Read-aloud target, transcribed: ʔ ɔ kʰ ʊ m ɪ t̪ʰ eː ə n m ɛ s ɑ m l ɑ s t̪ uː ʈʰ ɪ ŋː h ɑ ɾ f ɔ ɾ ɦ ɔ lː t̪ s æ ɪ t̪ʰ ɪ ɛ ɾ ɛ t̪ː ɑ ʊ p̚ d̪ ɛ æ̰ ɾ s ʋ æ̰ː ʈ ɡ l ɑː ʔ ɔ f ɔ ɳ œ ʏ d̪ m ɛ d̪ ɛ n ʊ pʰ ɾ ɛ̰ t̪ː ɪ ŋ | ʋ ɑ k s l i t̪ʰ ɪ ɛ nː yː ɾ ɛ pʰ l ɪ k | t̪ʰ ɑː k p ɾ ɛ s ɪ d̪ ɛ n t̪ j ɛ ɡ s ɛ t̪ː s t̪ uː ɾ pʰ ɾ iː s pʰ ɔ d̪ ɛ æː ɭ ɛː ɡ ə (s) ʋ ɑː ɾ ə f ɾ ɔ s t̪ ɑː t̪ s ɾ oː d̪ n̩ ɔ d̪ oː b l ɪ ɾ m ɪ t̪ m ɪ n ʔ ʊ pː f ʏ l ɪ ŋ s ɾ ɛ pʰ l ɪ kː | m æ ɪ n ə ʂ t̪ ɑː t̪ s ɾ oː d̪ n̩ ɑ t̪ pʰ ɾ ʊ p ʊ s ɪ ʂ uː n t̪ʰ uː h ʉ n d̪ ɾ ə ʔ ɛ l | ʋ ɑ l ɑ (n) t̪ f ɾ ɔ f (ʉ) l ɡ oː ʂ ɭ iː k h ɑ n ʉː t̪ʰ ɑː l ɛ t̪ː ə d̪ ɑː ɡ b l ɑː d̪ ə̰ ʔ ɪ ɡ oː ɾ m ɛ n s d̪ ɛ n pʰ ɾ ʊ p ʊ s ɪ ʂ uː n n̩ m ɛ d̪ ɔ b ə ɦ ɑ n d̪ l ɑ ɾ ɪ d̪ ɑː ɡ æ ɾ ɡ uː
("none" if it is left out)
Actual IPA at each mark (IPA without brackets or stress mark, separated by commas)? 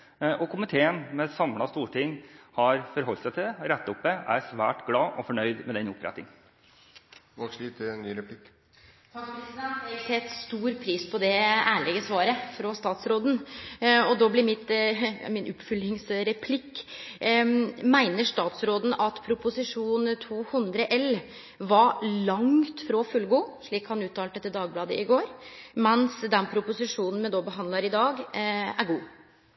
s, ŋ, ʉ